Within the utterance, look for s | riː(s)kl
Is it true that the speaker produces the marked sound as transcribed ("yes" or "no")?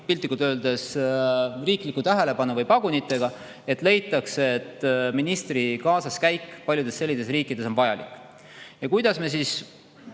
no